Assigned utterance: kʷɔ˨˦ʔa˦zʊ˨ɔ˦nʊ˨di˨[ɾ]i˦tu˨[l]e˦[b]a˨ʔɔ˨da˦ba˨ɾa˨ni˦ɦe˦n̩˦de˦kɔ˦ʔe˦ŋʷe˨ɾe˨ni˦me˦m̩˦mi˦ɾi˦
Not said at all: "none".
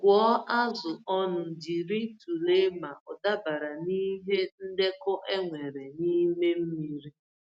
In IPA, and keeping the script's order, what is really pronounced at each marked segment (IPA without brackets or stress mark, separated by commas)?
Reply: ɾ, l, m